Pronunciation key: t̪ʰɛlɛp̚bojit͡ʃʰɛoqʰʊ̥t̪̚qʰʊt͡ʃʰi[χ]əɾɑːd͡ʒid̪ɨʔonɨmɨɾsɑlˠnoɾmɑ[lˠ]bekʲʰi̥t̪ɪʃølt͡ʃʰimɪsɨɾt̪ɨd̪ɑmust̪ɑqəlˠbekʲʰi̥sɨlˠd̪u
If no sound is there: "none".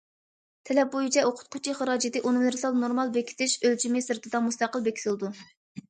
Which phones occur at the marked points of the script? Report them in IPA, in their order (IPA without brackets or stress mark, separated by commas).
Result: χ, lˠ